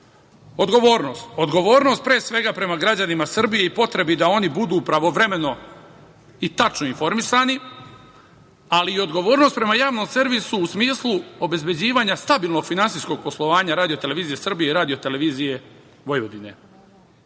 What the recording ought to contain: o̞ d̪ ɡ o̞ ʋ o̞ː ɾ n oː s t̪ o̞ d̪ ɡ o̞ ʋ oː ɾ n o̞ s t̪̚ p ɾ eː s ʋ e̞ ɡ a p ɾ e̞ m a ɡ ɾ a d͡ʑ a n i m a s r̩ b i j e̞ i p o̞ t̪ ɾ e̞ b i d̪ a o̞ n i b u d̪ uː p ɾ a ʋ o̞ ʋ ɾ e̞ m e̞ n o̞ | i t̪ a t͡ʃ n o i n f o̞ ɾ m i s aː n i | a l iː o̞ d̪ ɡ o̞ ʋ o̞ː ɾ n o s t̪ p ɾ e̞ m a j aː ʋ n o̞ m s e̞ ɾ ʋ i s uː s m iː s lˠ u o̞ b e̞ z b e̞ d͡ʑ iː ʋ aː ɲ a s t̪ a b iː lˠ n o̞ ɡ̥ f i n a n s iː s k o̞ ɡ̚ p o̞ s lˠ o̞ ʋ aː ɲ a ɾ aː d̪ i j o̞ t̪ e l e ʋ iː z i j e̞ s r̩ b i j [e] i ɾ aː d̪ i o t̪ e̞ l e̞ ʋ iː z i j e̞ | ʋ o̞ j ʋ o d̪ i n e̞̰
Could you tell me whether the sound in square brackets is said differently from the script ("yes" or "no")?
no